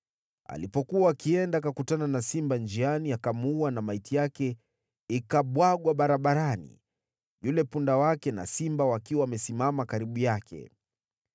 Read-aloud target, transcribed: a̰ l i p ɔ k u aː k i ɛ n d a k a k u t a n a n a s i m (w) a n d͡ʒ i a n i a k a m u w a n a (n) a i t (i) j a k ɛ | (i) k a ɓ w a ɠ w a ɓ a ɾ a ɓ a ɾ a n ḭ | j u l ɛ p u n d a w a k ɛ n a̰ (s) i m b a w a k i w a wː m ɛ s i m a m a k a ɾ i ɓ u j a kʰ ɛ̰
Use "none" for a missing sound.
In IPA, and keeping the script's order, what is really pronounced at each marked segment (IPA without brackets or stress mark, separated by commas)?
b, m, i, i, s